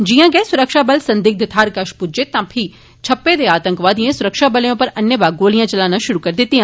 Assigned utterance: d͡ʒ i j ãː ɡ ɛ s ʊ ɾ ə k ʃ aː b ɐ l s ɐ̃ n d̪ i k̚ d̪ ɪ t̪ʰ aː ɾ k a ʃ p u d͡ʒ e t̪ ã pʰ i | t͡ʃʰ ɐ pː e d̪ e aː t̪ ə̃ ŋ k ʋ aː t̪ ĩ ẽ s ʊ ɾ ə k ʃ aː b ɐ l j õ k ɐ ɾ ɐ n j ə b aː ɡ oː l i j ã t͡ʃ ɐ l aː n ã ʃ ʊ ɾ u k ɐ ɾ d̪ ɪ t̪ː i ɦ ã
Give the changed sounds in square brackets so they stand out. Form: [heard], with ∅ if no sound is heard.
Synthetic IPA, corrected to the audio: d͡ʒ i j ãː ɡ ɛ s ʊ ɾ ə k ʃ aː b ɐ l s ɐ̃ n d̪ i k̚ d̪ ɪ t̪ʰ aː ɾ k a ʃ p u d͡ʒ e t̪ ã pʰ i | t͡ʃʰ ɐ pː e d̪ e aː t̪ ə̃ ŋ k ʋ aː [d̪] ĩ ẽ s ʊ ɾ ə k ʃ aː b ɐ l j õ [p] ɐ ɾ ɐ n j ə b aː ɡ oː l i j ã t͡ʃ ɐ l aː n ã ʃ ʊ ɾ u k ɐ ɾ d̪ ɪ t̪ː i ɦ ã